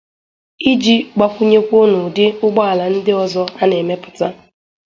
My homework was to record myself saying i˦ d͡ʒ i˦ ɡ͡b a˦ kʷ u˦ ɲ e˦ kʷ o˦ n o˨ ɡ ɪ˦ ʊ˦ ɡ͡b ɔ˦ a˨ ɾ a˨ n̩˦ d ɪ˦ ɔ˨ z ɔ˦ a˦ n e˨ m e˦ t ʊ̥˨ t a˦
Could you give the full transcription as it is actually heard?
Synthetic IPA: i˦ d͡ʒ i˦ ɡ͡b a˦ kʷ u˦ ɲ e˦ kʷ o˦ n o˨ d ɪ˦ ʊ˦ ɡ͡b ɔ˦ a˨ l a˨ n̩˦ d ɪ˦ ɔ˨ z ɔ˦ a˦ n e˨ m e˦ p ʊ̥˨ t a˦